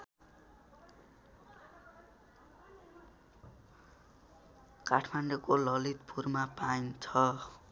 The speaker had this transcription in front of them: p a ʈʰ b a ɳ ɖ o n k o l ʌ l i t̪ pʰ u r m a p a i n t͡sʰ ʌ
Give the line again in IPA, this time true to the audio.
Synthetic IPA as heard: k a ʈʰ m a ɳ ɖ o k o l ʌ l i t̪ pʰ u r m a p a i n t͡sʰ ʌ

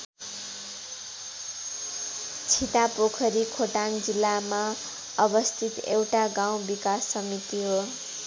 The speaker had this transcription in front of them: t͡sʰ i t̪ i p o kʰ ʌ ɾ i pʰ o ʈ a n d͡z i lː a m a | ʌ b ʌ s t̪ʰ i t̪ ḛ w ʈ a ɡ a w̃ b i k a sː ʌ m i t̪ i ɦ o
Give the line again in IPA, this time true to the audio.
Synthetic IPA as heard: t͡sʰ i t̪ a p o kʰ ʌ ɾ i kʰ o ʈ a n d͡z i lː a m a | ʌ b ʌ s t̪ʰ i t̪ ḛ w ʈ a ɡ a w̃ b i k a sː ʌ m i t̪ i ɦ o

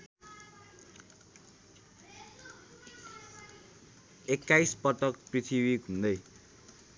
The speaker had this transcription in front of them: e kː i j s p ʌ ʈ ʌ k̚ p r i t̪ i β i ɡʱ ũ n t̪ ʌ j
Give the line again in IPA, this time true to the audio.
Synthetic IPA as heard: e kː a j s p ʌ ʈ ʌ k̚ p r i t̪ʰ i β i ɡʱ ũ n d̪ ʌ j

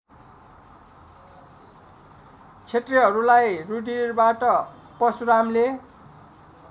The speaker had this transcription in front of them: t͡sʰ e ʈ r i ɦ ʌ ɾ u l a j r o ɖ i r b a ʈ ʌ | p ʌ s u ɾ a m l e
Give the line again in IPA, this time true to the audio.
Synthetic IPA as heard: t͡sʰ e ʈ r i ɦ ʌ ɾ u l a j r u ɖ i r b a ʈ ʌ | p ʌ s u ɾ a m l e

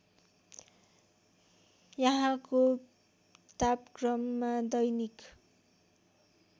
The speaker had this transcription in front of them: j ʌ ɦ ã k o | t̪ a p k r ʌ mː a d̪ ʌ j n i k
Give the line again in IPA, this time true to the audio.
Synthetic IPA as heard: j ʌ ɦ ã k o | t̪ a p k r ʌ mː a d̪ ʌ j n i k

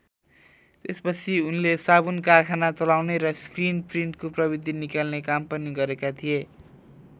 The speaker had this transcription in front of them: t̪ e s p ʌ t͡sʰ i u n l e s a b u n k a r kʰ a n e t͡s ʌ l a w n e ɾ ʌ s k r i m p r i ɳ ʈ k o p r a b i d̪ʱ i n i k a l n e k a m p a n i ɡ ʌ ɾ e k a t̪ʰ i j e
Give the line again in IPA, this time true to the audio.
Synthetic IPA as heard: t̪ e s p ʌ t͡sʰ i u n l e s a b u n k a r kʰ a n a t͡s ʌ l a w n e ɾ ʌ s k r i n p r i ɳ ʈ k o p r ʌ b i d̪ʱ i n i k a l n e k a m p ʌ n i ɡ ʌ ɾ e k a t̪ʰ i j e

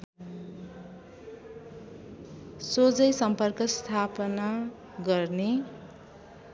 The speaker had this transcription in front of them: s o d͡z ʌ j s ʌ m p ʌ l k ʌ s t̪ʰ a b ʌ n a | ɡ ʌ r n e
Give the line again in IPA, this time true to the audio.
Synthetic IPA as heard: s o d͡z ʌ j s ʌ m p ʌ r k ʌ s t̪ʰ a p ʌ n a | ɡ ʌ r n e

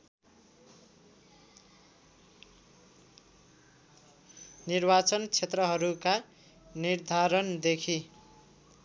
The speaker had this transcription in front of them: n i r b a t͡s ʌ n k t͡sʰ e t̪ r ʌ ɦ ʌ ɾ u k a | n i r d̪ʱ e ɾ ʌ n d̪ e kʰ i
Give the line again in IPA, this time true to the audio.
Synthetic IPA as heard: n i r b a t͡s ʌ n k t͡sʰ e t̪ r ʌ ɦ ʌ ɾ u k a | n i r d̪ʱ a ɾ ʌ n d̪ e kʰ i

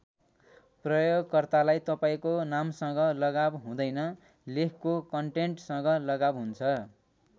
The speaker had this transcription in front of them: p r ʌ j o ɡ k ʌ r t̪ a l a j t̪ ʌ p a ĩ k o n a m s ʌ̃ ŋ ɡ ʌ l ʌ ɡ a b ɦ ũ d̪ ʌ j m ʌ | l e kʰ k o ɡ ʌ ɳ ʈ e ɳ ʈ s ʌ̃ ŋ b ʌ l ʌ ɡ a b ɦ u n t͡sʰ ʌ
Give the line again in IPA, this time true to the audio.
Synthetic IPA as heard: p r ʌ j o ɡ k ʌ r t̪ a l a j t̪ ʌ p a ĩ k o n a m s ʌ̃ ŋ ɡ ʌ l ʌ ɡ a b ɦ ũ d̪ ʌ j n ʌ | l e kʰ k o k ʌ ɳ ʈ e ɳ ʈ s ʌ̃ ŋ ɡ ʌ l ʌ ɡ a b ɦ u n t͡sʰ ʌ

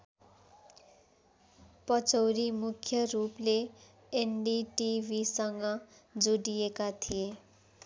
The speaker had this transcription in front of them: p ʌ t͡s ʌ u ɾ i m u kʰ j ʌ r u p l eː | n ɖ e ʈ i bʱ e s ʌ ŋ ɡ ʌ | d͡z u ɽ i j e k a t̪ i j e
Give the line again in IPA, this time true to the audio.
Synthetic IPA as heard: p ʌ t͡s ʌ w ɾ i m u kʰ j ʌ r u p l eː | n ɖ i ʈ i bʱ i s ʌ ŋ ɡ ʌ | d͡z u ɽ i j e k a t̪ʰ i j e

